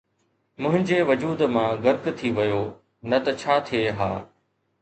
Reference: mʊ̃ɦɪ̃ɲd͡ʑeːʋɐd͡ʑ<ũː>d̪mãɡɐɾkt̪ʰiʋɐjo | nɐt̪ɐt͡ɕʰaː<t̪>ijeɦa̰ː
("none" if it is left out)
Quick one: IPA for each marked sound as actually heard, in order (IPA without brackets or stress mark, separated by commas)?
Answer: uː, t̪ʰ